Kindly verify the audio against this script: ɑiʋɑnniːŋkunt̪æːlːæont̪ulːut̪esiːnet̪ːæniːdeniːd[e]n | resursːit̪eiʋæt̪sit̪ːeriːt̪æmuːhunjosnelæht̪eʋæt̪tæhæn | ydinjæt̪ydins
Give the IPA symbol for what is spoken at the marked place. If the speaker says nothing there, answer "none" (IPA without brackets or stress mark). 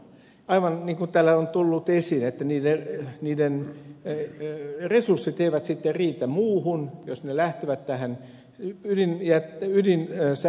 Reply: e